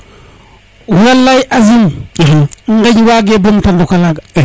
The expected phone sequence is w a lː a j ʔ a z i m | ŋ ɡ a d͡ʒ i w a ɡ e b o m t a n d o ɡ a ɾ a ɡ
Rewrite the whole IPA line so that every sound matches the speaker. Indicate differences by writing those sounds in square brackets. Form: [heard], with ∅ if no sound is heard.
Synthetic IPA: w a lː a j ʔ a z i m | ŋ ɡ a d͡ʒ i w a ɡ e b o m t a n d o [k] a [l] a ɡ